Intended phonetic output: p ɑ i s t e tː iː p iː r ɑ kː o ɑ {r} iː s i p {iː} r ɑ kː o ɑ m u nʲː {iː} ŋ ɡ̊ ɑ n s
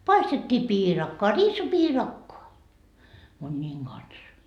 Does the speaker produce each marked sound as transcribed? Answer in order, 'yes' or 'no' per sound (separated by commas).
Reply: yes, yes, yes